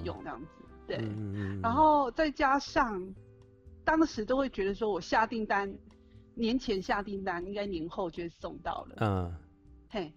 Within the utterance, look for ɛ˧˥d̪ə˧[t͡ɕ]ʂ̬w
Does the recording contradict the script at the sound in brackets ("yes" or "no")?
yes